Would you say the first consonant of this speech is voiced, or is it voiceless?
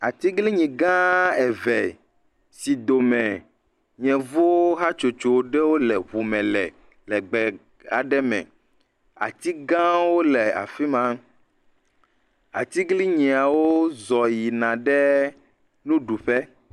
voiceless